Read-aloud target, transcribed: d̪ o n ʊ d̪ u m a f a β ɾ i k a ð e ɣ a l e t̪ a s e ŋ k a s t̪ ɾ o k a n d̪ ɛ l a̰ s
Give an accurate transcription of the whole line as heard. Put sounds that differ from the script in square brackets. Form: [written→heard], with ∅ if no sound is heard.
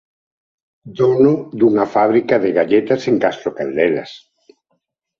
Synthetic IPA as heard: d̪ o n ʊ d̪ u [m→ŋ] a f a β ɾ i k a ð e ɣ a [l→ʎ] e t̪ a s e ŋ k a s t̪ ɾ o k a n d̪ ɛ l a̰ s